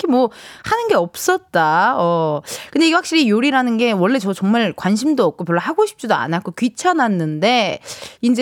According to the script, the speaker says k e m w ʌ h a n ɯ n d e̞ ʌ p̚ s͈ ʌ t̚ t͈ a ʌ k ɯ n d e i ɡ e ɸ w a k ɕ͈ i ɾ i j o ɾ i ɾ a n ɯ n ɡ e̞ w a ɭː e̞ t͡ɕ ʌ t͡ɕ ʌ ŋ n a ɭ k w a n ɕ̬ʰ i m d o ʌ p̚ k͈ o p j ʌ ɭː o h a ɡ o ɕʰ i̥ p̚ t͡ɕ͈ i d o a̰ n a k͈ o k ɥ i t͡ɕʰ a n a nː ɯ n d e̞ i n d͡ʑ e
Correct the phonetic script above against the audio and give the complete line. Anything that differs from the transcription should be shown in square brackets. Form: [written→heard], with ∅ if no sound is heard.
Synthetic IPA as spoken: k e m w ʌ h a n ɯ n [d→ɡ] e̞ ʌ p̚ s͈ ʌ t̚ t͈ a ʌ k ɯ n d e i ɡ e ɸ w a k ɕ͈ i ɾ i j o ɾ i ɾ a n ɯ n ɡ e̞ w [a→ʌ] ɭː e̞ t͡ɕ ʌ t͡ɕ ʌ ŋ [n→m] a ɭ k w a n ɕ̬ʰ i m d o ʌ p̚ k͈ o p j ʌ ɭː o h a ɡ o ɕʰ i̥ p̚ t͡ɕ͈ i d o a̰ n a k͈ o k ɥ i t͡ɕʰ a n a nː ɯ n d e̞ i n d͡ʑ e